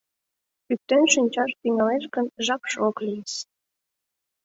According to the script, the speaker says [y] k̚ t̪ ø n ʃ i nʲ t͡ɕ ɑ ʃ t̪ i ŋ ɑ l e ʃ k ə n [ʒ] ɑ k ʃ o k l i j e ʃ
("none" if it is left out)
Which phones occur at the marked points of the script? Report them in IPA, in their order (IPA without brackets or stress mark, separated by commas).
y, ʒ